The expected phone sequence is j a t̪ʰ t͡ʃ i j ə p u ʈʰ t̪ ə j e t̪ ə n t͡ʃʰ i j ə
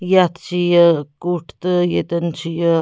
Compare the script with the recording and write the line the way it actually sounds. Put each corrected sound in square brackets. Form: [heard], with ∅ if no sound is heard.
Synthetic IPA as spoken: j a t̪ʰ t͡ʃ i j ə [k] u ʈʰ t̪ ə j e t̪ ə n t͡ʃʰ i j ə